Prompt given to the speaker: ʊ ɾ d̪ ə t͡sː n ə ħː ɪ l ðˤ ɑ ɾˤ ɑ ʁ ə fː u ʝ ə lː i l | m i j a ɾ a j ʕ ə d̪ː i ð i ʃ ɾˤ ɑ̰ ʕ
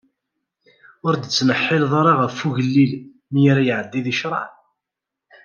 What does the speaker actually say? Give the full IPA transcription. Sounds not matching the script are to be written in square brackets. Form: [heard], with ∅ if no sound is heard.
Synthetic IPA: ʊ ɾ d̪ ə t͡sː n ə ħː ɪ l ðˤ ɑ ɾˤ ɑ ʁ ə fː u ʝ ə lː i l | m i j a ɾ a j ʕ ə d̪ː i ð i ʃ ɾˤ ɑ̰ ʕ